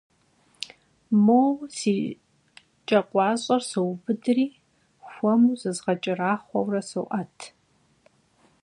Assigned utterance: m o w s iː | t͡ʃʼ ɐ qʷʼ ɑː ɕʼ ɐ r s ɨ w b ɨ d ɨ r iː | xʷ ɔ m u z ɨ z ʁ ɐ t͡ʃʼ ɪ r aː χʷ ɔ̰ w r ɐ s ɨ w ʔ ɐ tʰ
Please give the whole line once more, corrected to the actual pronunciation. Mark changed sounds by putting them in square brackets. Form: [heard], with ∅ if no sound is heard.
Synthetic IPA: m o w s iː | t͡ʃʼ ɐ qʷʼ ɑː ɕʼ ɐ r s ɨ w b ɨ d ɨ r iː | xʷ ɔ m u z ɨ z ʁ ɐ t͡ʃʼ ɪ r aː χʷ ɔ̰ w r ɐ s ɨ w ʔ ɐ tʰ